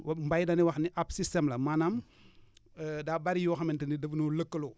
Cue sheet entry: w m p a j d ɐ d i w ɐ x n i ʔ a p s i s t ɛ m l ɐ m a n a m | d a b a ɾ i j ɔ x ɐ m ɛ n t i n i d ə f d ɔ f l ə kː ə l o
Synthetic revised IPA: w m b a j d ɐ n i w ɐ x n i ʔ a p s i s t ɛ m l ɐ m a n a m | d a b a ɾ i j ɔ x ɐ m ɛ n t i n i d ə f n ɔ l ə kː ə l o